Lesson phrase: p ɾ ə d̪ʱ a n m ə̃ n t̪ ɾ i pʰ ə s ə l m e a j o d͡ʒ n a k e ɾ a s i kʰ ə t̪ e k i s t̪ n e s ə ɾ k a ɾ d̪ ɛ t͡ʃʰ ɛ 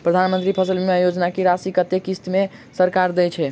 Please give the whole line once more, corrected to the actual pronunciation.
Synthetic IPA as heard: p ɾ ə d̪ʱ a n m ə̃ n t̪ ɾ i pʰ ə s ə l m e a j o d͡ʒ n a k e ɾ a s i k ə t̪ e k i s t̪ m e s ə ɾ k a ɾ d̪ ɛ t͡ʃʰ ɛ

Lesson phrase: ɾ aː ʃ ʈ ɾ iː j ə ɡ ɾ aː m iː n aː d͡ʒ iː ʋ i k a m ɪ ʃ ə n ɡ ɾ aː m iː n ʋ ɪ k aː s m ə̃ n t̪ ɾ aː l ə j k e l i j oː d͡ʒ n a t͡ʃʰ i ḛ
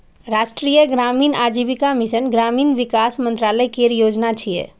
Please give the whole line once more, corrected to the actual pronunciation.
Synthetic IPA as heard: ɾ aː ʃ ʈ ɾ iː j ə ɡ ɾ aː m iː n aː d͡ʒ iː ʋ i k a m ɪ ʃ ə n ɡ ɾ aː m iː n ʋ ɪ k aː s m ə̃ n t̪ ɾ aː l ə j k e ɾ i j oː d͡ʒ n a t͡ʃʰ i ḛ

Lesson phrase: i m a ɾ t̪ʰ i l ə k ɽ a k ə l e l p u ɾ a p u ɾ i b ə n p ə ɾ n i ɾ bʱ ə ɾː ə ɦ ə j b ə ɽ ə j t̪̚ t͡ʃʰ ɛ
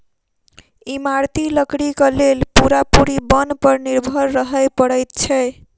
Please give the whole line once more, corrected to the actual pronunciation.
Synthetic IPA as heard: i m a ɾ t̪ i l ə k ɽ i k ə l e l p u ɾ a p u ɾ i b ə n p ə ɾ n i ɾ bʱ ə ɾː ə ɦ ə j p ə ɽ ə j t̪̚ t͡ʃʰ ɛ

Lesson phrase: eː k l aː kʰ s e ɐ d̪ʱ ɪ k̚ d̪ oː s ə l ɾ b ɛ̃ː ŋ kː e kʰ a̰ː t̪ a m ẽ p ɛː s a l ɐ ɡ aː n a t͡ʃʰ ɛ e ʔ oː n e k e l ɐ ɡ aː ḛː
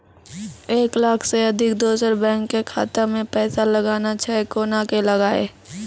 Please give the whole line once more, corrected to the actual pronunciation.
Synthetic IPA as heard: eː k l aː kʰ s e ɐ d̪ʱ ɪ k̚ d̪ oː s ə ɾ b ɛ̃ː ŋ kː e kʰ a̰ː t̪ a m ẽ p ɛː s a l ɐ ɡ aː n a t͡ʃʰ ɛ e k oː n a k e l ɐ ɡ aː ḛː

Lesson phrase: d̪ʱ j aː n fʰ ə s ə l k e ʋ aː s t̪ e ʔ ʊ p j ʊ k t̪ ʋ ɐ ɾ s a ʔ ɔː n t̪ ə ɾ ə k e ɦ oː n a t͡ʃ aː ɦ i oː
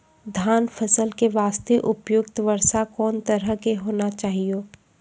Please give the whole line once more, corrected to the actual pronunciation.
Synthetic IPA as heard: d̪ʱ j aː n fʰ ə s ə l k e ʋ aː s t̪ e ʔ ʊ p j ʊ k t̪ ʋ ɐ ɾ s a k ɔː n t̪ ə ɾ ə k e ɦ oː n a t͡ʃ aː ɦ i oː

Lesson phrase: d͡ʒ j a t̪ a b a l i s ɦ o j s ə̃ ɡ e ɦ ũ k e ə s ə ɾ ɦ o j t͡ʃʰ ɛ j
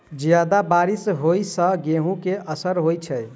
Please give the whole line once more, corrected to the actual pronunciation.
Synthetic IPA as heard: d͡ʒ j a d̪ a b a ɾ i s ɦ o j s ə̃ ɡ e ɦ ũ k e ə s ə ɾ ɦ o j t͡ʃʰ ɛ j

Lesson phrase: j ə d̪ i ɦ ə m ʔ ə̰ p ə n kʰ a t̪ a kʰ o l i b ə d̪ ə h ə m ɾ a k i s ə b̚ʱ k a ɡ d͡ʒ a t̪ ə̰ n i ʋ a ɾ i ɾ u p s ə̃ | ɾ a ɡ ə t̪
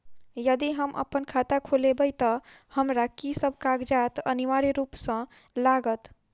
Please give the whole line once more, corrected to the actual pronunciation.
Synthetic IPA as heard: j ə d̪ i ɦ ə m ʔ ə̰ p ə n kʰ a t̪ a kʰ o l e b ə t̪ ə h ə m ɾ a k i s ə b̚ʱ k a ɡ d͡ʒ a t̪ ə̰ n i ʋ a ɾ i ɾ u p s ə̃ | l a ɡ ə t̪

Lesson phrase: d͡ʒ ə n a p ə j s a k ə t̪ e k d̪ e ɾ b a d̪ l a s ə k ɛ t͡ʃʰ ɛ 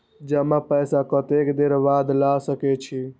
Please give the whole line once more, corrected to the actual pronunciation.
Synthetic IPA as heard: d͡ʒ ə m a p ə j s a k ə t̪ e k d̪ e ɾ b a d̪ l a s ə k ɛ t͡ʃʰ i

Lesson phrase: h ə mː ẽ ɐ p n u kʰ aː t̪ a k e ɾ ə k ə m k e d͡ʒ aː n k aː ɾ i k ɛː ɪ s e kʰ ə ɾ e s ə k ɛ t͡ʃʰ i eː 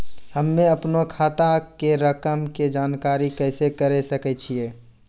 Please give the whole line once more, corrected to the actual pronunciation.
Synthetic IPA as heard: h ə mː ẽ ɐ p n o kʰ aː t̪ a k e ɾ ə k ə m k e d͡ʒ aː n k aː ɾ i k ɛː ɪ s e k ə ɾ e s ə k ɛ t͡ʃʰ i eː

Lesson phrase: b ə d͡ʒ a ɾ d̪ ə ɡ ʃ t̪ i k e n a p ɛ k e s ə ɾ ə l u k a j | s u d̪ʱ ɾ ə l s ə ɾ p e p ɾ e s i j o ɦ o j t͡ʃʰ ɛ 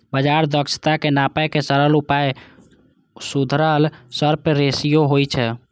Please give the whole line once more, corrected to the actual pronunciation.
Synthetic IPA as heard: b ə d͡ʒ a ɾ d̪ ə k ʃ t̪ a k e n a p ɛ k e s ə ɾ ə l u p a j | s u d̪ʱ ɾ ə l s ə ɾ p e ɾ e s i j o ɦ o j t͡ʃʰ ɛ

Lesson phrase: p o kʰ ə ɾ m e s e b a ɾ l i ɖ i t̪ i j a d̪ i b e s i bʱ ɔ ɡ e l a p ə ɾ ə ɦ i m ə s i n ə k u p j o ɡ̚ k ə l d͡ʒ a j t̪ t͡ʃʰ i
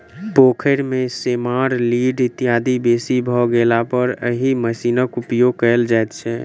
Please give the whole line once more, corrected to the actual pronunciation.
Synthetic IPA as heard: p o kʰ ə ɾ m e s e m a ɾ l i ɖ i t̪ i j a d̪ i b e s i bʱ ɔ ɡ e l a p ə ɾ ə ɦ i m ə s i n ə k u p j o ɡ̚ k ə l d͡ʒ a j t̪ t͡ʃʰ ɛ

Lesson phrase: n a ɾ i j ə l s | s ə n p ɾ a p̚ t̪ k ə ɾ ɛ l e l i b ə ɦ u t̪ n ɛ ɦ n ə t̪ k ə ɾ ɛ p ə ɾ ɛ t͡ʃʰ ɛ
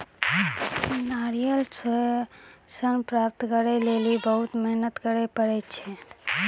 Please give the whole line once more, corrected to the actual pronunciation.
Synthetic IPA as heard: n a ɾ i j ə l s | s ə n p ɾ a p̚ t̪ k ə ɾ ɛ l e l i b ə ɦ u t̪ m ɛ ɦ n ə t̪ k ə ɾ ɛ p ə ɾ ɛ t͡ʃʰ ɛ

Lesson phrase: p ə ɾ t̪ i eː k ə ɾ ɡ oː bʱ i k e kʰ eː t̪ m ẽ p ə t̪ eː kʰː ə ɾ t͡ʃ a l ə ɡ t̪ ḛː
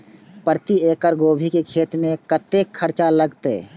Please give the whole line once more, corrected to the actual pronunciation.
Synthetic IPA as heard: p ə ɾ t̪ i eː k ə ɾ ɡ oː bʱ i k e kʰ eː t̪ m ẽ k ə t̪ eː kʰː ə ɾ t͡ʃ a l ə ɡ t̪ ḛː

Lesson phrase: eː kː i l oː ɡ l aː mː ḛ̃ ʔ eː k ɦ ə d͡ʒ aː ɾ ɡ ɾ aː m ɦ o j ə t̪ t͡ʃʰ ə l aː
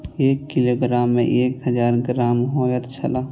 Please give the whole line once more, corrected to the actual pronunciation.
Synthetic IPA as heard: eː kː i l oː ɡ ɾ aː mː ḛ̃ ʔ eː k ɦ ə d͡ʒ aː ɾ ɡ ɾ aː m ɦ o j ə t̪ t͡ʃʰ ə l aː

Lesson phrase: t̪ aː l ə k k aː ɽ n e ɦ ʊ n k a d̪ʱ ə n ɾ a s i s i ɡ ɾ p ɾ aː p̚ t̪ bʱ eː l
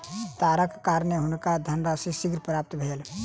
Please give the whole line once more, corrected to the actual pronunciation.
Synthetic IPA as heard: t̪ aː ɾ ə k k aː ɾ n e ɦ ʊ n k a d̪ʱ ə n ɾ a s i s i ɡ ɾ p ɾ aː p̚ t̪ bʱ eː l

